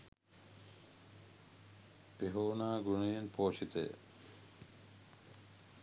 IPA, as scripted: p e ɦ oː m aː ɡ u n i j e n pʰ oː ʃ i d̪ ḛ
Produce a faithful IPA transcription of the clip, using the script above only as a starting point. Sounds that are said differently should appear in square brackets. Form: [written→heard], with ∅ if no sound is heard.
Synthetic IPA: p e ɦ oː [m→n] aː ɡ u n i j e n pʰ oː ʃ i [d̪→t̪] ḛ